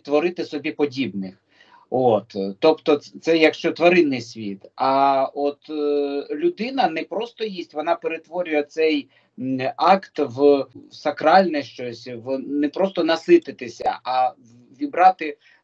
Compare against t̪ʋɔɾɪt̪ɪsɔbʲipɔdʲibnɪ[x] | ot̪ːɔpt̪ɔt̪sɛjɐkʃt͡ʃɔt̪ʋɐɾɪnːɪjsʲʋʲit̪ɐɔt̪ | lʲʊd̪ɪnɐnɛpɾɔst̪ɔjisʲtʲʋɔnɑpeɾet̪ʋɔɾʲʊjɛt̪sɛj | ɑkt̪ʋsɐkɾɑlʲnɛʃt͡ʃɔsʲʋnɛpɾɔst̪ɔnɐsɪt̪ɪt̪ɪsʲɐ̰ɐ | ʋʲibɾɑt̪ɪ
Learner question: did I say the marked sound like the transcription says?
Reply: yes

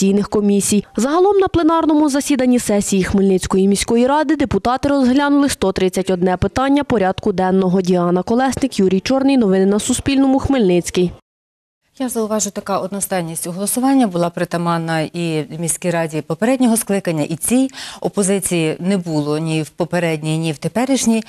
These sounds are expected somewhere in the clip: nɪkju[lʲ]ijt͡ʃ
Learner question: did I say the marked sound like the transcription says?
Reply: no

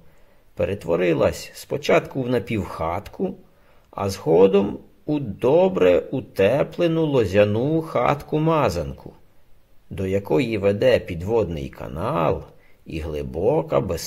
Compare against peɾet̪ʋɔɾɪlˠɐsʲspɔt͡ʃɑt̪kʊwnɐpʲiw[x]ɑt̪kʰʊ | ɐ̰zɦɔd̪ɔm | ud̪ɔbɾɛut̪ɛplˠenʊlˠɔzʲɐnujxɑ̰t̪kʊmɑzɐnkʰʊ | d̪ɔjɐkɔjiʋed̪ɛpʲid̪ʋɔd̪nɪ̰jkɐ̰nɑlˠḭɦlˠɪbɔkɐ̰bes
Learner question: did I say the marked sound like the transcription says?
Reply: yes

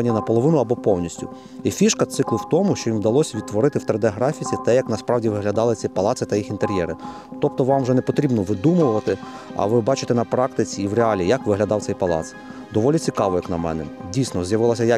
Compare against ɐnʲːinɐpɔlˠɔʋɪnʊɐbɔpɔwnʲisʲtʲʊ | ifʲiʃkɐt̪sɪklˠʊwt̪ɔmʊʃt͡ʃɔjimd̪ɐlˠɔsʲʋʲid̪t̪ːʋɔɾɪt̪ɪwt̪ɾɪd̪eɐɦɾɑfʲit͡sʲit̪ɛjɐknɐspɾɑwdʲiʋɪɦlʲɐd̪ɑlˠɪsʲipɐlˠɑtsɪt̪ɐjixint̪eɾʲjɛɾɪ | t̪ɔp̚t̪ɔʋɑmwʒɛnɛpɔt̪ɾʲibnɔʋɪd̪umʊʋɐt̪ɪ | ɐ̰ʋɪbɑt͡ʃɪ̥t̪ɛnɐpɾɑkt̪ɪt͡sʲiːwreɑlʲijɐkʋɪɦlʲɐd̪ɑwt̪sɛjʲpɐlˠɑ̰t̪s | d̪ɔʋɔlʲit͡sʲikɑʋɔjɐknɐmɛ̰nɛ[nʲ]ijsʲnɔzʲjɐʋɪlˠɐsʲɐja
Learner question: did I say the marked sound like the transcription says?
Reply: no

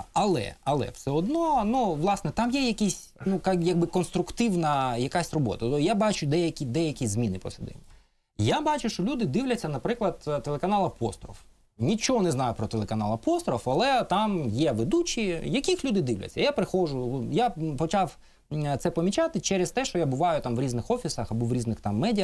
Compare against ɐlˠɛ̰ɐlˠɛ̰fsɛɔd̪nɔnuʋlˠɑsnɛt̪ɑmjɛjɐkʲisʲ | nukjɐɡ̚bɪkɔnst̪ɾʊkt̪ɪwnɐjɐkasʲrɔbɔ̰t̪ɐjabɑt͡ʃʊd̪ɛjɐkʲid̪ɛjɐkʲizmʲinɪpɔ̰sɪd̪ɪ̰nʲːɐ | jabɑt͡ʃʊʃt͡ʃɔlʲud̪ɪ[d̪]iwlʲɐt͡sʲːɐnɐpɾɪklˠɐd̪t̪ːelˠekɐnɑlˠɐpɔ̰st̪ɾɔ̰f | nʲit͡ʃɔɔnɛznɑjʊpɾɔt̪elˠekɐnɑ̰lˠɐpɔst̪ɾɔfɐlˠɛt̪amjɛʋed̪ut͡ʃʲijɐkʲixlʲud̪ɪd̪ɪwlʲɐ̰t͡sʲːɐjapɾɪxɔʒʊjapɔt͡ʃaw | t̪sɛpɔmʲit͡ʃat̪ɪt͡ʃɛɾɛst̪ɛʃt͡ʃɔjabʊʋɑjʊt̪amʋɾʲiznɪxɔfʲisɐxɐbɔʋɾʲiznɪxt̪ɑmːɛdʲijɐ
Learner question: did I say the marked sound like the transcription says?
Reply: yes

